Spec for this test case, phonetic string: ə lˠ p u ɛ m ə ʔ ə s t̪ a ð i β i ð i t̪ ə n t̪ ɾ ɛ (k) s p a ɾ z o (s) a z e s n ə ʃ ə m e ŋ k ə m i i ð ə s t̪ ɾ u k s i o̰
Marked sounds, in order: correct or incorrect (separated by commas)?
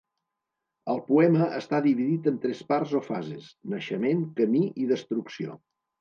incorrect, incorrect